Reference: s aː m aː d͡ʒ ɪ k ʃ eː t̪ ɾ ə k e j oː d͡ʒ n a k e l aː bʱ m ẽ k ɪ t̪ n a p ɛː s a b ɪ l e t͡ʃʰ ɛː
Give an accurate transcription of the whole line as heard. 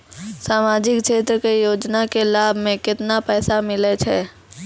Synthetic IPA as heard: s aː m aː d͡ʒ ɪ k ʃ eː t̪ ɾ ə k e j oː d͡ʒ n a k e l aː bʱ m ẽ k ɪ t̪ n a p ɛː s a m ɪ l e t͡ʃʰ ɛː